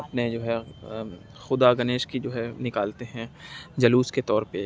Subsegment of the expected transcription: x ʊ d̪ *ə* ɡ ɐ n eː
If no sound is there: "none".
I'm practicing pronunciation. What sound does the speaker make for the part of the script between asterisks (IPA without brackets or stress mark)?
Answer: a